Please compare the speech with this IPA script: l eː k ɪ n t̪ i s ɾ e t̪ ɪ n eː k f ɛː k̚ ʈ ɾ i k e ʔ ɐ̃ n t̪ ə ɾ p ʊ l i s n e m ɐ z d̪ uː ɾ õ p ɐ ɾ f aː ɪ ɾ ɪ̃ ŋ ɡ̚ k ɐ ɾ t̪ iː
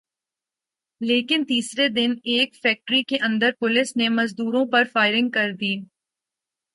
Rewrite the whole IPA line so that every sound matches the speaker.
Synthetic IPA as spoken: l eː k ɪ n t̪ iː s ɾ e d̪ ɪ n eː k f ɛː k̚ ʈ ɾ i k e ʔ ɐ̃ n d̪ ə ɾ p ʊ l ɪ s n e m ɐ z d̪ uː ɾ õ p ɐ ɾ f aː ɪ ɾ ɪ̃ ŋ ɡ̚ k ɐ ɾ d̪ iː

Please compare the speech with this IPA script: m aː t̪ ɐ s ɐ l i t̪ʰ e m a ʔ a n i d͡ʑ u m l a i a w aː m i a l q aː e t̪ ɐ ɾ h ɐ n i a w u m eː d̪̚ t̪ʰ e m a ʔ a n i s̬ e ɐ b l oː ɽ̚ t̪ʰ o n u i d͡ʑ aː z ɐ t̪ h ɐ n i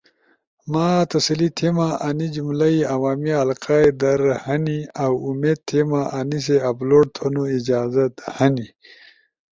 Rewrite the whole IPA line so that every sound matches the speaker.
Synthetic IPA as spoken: m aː t̪ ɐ s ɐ l i t̪ʰ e m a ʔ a n i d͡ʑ u m l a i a w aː m i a l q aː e d̪ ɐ ɾ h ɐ n i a w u m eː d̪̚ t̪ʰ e m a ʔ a n i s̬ e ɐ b l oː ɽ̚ t̪ʰ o n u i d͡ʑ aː z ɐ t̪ h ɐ n i

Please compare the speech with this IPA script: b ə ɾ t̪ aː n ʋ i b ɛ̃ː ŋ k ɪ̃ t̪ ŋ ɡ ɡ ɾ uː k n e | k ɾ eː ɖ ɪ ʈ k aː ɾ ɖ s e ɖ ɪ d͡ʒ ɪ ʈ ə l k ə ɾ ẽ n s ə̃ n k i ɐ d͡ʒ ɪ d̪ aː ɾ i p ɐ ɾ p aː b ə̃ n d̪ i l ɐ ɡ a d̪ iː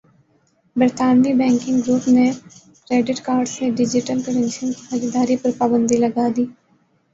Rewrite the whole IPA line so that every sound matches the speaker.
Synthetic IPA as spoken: b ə ɾ t̪ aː n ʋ i b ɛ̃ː ŋ k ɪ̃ ŋ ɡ ɡ ɾ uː p n e | k ɾ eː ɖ ɪ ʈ k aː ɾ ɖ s e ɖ ɪ d͡ʒ ɪ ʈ ə l k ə ɾ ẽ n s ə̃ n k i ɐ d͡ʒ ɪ d̪ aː ɾ i p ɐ ɾ p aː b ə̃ n d̪ i l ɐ ɡ a d̪ iː

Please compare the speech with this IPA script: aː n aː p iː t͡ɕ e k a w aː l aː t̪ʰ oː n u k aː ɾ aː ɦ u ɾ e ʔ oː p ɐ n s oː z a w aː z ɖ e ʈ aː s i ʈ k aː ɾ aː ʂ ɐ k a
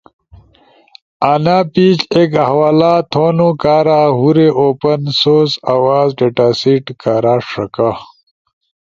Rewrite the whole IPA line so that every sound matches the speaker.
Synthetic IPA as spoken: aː n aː p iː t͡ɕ e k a w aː l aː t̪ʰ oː n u k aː ɾ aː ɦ u ɾ e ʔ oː p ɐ n s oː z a w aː z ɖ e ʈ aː s i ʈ k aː ɾ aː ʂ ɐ k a

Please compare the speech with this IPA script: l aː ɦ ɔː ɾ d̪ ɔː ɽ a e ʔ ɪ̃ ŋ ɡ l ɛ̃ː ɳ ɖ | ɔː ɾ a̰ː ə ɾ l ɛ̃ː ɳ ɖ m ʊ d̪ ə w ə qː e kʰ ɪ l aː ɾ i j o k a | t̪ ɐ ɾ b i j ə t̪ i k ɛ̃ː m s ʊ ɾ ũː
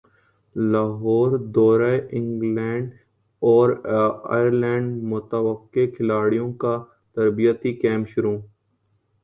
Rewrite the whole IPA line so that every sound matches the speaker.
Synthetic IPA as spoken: l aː ɦ ɔː ɾ d̪ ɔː ɾ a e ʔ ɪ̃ ŋ ɡ l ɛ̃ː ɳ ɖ | ɔː ɾ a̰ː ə ɾ l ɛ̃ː ɳ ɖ m ʊ t̪ ə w ə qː e kʰ ɪ l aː ɽ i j õ k a | t̪ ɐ ɾ b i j ə t̪ i k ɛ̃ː m ʃ ʊ ɾ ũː

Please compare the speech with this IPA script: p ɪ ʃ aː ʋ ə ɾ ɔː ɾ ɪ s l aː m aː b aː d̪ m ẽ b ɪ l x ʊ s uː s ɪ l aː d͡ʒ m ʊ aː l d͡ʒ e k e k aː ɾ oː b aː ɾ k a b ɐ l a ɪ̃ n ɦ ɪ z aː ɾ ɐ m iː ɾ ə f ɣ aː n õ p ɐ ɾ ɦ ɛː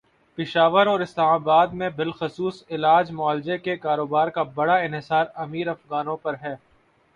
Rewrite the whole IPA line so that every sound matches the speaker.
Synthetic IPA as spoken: p ɪ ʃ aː ʋ ə ɾ ɔː ɾ ɪ s l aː m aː b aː d̪ m ẽ b ɪ l x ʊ s uː s ɪ l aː d͡ʒ m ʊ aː l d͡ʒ e k e k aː ɾ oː b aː ɾ k a b ɐ ɽ a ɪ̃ n ɦ ɪ s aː ɾ ɐ m iː ɾ ɐ f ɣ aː n õ p ɐ ɾ ɦ ɛː

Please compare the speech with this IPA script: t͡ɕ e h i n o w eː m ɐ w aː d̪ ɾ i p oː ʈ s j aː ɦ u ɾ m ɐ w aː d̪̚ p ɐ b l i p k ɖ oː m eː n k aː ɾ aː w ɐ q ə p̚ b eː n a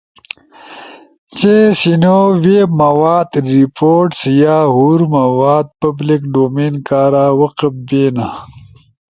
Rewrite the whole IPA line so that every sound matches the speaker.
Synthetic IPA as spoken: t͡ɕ e s i n o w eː m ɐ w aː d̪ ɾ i p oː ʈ s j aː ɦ u ɾ m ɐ w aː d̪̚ p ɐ b l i k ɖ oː m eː n k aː ɾ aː w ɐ q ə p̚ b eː n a

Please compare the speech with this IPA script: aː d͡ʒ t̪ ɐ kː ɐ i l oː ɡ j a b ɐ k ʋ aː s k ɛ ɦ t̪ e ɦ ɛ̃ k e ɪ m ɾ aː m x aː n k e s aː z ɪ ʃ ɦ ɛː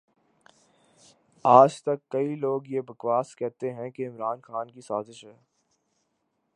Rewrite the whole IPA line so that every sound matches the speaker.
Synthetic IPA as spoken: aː d͡ʒ t̪ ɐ kː ɐ i l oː ɡ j e b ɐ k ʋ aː s k ɛ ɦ t̪ e ɦ ɛ̃ k e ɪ m ɾ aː n x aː n k i s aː z ɪ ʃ ɦ ɛː

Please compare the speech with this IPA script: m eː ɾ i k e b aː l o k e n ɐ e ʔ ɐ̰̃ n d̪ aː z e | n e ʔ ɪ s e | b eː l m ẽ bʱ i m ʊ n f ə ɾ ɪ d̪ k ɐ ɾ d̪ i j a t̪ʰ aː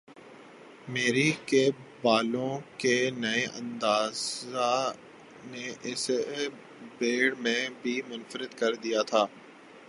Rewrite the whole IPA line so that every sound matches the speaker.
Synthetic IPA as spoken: m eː ɾ i k e b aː l õ k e n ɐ e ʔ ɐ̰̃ n d̪ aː z a | n e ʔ ɪ s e | b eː ɽ m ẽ bʱ i m ʊ n f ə ɾ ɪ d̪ k ɐ ɾ d̪ i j a t̪ʰ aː

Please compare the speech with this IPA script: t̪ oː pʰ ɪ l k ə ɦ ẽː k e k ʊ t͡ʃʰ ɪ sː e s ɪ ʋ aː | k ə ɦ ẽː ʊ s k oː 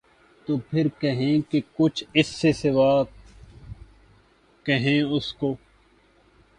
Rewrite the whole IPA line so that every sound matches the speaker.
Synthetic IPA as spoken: t̪ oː pʰ ɪ ɾ k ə ɦ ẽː k e k ʊ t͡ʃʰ ɪ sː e s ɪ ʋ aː | k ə ɦ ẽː ʊ s k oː

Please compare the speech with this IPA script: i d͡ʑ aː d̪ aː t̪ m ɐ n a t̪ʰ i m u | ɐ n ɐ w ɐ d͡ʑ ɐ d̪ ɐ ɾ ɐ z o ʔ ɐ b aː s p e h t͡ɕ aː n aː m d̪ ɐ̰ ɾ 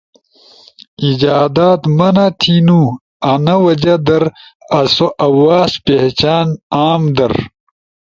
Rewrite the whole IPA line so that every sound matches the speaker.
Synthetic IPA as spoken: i d͡ʑ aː d̪ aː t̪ m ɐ n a t̪ʰ i n u | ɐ n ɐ w ɐ d͡ʑ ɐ d̪ ɐ ɾ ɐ s o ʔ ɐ w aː s p e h t͡ɕ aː n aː m d̪ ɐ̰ ɾ

